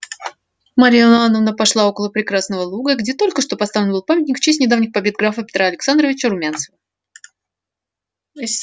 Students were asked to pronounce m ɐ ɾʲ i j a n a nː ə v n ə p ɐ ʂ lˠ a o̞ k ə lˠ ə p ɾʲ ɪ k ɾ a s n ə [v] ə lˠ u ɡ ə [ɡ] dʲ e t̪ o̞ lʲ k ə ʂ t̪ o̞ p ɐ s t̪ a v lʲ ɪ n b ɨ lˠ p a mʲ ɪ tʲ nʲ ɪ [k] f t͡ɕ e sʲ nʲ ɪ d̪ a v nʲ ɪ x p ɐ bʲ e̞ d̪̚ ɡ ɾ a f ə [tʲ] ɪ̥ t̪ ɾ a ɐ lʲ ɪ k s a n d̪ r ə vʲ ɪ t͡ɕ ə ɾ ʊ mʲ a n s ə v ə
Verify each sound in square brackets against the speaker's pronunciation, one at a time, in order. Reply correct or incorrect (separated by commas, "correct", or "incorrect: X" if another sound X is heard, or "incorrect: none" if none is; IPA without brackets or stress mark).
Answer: correct, correct, correct, incorrect: pʲ